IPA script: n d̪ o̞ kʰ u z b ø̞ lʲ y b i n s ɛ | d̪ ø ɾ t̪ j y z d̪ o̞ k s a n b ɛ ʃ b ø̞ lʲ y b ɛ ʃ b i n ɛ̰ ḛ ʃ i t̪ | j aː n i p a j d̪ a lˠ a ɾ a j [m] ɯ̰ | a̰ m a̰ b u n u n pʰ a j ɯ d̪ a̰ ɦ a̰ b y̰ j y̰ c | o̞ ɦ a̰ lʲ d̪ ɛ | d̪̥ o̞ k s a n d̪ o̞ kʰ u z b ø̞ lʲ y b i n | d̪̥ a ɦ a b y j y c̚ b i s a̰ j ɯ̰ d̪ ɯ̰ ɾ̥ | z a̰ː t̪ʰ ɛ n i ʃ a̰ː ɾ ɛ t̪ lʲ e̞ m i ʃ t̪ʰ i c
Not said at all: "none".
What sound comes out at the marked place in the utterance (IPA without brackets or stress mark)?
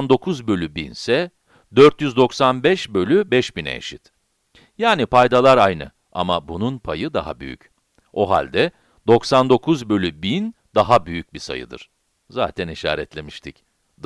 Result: n